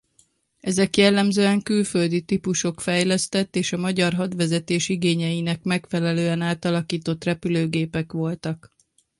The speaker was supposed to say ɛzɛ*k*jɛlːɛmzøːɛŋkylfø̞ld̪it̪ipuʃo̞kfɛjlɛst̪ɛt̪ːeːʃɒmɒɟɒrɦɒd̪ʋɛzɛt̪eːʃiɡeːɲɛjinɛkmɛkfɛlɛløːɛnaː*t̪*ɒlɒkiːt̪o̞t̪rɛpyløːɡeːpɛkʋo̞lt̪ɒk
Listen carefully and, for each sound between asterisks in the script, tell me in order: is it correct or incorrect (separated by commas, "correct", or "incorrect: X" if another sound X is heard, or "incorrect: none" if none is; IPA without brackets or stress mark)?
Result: correct, correct